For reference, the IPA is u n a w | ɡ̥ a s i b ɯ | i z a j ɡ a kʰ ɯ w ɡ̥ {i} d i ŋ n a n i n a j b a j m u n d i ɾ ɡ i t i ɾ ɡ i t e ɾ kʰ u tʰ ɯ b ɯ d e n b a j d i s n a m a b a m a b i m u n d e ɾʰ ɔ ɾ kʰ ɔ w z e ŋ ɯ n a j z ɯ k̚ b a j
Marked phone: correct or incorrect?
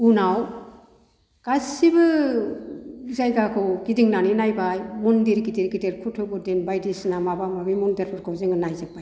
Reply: correct